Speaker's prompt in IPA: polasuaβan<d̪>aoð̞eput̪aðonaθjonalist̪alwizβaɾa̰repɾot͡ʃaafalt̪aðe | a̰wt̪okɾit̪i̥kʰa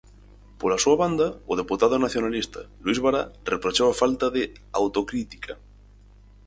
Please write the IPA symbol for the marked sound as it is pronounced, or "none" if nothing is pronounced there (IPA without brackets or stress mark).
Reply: d̪